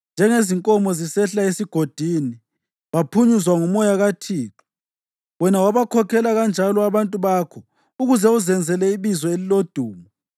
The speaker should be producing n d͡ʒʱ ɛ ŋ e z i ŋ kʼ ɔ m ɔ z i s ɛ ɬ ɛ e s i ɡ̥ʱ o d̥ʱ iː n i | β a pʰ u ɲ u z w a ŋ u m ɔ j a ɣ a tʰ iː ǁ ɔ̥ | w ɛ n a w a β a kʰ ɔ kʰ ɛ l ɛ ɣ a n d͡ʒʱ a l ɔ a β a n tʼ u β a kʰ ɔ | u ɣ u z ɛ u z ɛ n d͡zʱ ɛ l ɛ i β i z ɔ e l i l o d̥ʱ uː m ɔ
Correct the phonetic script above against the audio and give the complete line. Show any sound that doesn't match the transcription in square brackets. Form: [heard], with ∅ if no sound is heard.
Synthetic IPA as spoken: n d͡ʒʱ ɛ ŋ e z i ŋ kʼ ɔ m ɔ z i s ɛ ɬ [a] e s i ɡ̥ʱ o d̥ʱ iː n i | β a pʰ u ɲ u z w a ŋ u m ɔ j a ɣ a tʰ iː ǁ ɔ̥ | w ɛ n a w a β a kʰ ɔ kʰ ɛ l [a] ɣ a n d͡ʒʱ a l ɔ a β a n tʼ u β a kʰ ɔ | u ɣ u z ɛ u z ɛ n d͡zʱ ɛ l ɛ i β i z ɔ e l i l o d̥ʱ uː m ɔ